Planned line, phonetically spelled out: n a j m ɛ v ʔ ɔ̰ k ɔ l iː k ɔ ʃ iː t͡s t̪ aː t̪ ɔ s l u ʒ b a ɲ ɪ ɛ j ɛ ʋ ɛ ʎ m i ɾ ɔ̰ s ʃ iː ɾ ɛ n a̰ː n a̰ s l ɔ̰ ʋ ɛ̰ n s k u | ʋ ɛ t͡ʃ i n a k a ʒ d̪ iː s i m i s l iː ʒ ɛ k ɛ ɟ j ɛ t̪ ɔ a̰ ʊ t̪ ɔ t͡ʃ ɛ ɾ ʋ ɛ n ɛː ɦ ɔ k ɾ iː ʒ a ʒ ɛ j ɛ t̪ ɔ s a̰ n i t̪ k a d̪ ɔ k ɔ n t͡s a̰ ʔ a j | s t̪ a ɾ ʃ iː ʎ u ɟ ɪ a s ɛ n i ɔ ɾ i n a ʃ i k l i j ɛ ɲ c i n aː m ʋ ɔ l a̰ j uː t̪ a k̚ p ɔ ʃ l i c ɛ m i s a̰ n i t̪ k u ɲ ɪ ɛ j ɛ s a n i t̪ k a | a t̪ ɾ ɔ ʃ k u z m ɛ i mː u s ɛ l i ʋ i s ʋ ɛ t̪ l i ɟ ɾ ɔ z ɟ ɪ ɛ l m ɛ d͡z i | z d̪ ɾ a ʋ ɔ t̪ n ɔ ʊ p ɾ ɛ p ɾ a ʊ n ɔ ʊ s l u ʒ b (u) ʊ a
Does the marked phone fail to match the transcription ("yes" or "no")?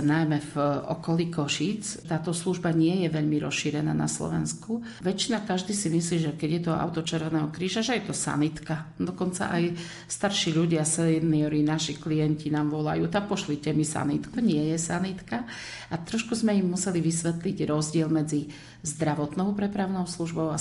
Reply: yes